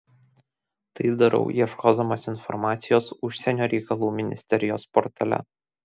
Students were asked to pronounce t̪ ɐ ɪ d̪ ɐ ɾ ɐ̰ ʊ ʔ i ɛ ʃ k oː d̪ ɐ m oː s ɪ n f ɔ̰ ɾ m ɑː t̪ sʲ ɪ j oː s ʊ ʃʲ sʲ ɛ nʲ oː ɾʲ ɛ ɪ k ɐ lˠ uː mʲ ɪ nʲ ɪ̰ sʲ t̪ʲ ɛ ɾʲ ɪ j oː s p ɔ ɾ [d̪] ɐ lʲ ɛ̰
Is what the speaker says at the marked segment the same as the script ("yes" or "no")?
no